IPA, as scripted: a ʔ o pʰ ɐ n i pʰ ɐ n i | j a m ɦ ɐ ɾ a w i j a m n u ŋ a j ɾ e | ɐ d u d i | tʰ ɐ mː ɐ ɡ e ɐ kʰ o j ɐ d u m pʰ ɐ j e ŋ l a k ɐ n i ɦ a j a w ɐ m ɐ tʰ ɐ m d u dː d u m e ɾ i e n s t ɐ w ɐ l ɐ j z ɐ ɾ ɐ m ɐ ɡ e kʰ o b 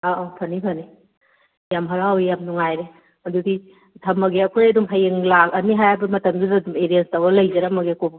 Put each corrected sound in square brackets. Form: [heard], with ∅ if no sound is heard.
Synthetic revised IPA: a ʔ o pʰ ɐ n i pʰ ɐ n i | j a m ɦ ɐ ɾ a w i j a m n u ŋ a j ɾ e | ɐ d u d i | tʰ ɐ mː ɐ ɡ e ɐ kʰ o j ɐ d u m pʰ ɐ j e ŋ l a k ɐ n i ɦ a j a [b] ɐ m ɐ [t] ɐ m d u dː d u m e ɾ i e n s t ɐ w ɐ l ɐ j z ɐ ɾ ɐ m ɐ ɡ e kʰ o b

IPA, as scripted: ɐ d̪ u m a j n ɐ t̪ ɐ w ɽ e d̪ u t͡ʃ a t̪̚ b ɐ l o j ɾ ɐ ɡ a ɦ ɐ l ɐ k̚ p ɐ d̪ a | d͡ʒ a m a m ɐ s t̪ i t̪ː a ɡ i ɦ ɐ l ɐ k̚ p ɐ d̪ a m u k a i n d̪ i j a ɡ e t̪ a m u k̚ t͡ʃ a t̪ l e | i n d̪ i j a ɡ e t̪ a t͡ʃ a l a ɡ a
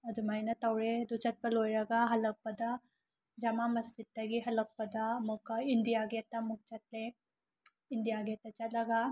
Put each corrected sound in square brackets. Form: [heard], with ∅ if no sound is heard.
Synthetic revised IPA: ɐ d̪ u m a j n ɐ t̪ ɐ w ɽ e d̪ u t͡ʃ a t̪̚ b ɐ l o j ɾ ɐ ɡ a ɦ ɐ l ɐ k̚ p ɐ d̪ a | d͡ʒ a m a m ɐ s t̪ i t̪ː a ɡ i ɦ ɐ l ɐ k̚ p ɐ d̪ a m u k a i n d̪ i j a ɡ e t̪ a m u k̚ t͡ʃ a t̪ l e | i n d̪ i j a ɡ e t̪ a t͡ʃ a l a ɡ a

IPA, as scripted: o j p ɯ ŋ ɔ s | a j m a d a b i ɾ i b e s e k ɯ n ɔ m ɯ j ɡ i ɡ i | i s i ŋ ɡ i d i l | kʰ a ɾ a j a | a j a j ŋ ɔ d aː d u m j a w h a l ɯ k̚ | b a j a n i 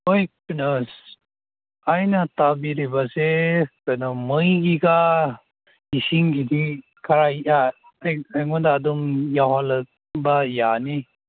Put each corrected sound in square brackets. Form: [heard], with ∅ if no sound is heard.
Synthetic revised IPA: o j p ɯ [n] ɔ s | a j [n] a [t] a b i ɾ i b [a] s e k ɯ n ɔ m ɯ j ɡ i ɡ [a] | i s i ŋ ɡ i d i [∅] | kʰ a ɾ a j a | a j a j ŋ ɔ d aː d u m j a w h a l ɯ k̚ | b a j a n i

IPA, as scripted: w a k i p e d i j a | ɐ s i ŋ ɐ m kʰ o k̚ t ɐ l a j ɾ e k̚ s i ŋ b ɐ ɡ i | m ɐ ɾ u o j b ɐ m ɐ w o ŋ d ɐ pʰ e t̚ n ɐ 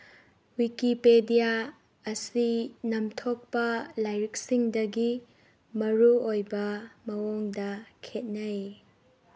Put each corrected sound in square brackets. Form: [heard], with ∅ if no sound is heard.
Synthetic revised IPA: w [i] k i p e d i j a | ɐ s i [n] ɐ m [tʰ] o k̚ [p] ɐ l a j ɾ [i] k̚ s i ŋ [d] ɐ ɡ i | m ɐ ɾ u o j b ɐ m ɐ w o ŋ d ɐ [kʰ] e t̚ n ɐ

